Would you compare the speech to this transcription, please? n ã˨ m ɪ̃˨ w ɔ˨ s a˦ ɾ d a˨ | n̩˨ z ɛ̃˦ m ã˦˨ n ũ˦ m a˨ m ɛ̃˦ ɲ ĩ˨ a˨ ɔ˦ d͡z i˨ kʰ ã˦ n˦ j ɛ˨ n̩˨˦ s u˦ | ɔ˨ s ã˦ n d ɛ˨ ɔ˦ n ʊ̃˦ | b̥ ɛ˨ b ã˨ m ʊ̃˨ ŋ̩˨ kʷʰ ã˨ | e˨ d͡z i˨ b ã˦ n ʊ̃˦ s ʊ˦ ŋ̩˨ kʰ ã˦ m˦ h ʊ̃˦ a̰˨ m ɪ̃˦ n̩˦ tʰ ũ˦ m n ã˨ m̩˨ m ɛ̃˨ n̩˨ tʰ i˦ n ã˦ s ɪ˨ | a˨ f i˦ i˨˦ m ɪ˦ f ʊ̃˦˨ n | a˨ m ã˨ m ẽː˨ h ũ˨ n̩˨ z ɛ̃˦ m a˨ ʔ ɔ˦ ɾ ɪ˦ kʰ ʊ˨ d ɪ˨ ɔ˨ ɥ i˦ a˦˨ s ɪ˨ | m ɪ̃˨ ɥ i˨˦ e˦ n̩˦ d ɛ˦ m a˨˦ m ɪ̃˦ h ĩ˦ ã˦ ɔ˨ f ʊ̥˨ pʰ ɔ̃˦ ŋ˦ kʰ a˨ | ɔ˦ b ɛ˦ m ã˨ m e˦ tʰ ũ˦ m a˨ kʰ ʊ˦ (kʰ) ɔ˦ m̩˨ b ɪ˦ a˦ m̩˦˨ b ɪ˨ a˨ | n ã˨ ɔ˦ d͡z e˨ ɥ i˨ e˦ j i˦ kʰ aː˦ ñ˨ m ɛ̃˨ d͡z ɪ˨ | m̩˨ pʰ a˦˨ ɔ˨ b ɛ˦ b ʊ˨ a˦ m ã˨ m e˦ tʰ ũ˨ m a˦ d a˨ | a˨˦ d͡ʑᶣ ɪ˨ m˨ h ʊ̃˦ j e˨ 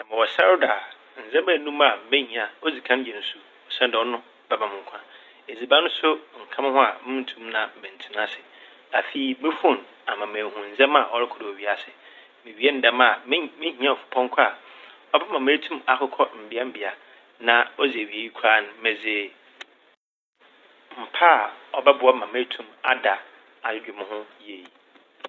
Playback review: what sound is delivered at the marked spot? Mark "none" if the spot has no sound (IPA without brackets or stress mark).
kʰ